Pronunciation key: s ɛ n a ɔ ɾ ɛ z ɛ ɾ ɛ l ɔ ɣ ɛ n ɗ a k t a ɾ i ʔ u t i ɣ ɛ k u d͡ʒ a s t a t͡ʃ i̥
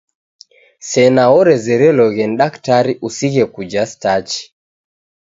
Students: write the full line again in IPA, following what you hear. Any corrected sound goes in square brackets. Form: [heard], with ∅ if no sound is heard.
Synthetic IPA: s ɛ n a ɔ ɾ ɛ z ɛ ɾ ɛ l ɔ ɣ ɛ n ɗ a k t a ɾ i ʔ u [s] i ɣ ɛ k u d͡ʒ a s t a t͡ʃ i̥